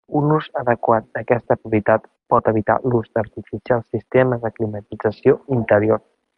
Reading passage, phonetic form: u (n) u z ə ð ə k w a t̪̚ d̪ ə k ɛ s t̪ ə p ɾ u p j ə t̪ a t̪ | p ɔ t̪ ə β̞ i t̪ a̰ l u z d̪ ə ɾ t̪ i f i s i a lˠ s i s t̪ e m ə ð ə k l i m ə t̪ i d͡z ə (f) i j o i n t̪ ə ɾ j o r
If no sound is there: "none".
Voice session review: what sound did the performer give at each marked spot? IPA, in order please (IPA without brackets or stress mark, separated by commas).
n, s